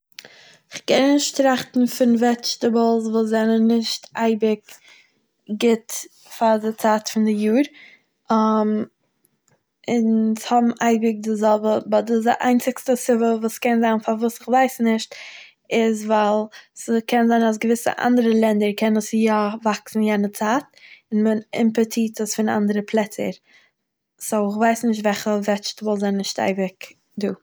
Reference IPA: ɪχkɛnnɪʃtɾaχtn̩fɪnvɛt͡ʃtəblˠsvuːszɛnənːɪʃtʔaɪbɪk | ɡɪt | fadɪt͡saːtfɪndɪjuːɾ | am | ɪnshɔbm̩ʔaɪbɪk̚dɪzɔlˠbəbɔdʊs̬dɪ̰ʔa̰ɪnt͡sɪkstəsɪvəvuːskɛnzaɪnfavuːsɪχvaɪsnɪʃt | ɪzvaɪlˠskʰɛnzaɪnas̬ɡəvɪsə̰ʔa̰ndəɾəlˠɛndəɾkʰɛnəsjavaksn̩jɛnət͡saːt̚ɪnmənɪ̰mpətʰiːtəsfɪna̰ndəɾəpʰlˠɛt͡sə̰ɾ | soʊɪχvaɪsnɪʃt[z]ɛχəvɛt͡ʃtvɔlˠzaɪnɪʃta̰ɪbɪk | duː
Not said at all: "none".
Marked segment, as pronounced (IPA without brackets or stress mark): v